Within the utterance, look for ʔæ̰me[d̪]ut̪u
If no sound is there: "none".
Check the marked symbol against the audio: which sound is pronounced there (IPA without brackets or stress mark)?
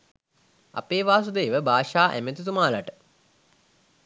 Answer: t̪